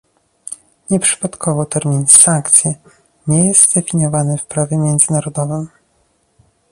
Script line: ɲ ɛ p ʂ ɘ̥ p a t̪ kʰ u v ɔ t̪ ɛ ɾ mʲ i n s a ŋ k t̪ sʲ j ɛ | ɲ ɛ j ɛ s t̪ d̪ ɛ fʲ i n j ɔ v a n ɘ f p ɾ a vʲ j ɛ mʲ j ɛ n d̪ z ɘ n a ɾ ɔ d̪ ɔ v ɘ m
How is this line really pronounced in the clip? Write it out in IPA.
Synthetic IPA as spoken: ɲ ɛ p ʂ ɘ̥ p a t̪ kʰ ɔ v ɔ t̪ ɛ ɾ mʲ i n s a ŋ k t̪ sʲ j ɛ | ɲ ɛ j ɛ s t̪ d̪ ɛ fʲ i ɲ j ɔ v a n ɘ f p ɾ a vʲ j ɛ mʲ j ɛ n d̪ z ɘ n a ɾ ɔ d̪ ɔ v ɘ m